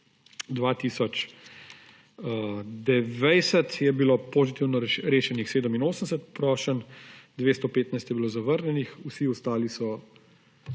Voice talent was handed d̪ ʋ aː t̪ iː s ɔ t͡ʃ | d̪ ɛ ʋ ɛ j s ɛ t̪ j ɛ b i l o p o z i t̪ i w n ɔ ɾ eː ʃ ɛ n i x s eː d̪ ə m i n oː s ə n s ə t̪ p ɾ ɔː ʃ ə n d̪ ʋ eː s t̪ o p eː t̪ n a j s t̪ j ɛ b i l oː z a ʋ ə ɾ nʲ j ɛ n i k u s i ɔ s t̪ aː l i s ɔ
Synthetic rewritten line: d̪ ʋ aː t̪ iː s ɔ t͡ʃ | d̪ ɛ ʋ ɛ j s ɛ t̪ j ɛ b i l o p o z i t̪ i w n ɔ ɾ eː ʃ ɛ n i x s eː d̪ ə m i n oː s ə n s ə t̪ p ɾ ɔː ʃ ə n d̪ ʋ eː s t̪ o p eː t̪ n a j s t̪ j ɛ b i l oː z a ʋ ə ɾ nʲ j ɛ n i x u s i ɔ s t̪ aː l i s ɔ